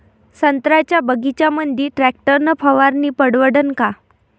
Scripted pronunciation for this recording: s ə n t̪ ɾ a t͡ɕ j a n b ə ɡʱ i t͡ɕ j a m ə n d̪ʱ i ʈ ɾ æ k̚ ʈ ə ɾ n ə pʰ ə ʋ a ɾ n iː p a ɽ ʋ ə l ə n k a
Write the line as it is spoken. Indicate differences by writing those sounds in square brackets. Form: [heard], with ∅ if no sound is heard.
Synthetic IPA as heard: s ə n t̪ ɾ a t͡ɕ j a [∅] b ə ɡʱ i t͡ɕ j a m ə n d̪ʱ i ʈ ɾ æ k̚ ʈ ə ɾ n ə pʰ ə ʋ a ɾ n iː p [ə] ɽ ʋ ə [ɽ] ə n k a